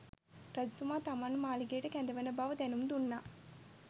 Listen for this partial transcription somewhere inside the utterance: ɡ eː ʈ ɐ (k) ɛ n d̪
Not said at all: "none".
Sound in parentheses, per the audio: k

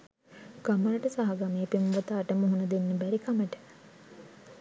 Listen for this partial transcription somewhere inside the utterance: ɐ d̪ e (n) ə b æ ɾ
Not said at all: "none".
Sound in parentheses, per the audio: nː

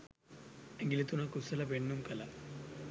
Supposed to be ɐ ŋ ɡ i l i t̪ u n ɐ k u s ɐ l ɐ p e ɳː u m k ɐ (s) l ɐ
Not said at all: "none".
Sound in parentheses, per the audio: none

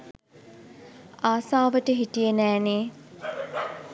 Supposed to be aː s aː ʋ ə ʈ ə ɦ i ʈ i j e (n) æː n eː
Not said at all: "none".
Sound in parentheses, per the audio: n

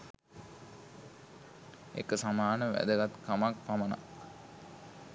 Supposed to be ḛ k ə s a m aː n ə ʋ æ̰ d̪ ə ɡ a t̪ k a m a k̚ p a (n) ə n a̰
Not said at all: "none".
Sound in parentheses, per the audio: m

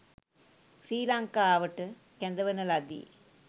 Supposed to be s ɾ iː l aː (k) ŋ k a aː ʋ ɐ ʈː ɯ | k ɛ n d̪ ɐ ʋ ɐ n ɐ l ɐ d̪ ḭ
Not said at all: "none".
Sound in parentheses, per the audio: none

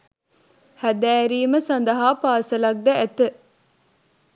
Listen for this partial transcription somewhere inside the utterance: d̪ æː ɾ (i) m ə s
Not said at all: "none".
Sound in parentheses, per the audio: iː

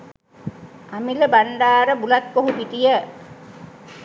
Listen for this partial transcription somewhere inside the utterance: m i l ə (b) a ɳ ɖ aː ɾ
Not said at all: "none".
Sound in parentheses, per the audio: b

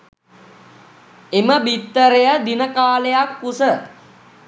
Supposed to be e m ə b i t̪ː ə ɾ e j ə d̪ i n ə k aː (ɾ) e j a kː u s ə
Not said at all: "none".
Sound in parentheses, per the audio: l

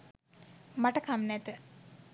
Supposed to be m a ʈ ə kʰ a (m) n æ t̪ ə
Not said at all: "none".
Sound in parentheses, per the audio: m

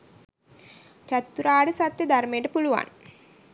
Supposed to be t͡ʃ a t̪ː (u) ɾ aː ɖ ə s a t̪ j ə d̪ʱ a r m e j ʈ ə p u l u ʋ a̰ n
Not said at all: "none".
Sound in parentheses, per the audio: u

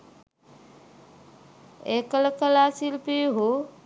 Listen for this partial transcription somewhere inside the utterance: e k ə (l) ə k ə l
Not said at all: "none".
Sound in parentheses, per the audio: l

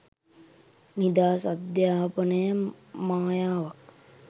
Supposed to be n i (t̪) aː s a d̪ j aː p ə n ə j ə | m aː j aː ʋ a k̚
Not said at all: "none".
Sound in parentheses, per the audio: d̪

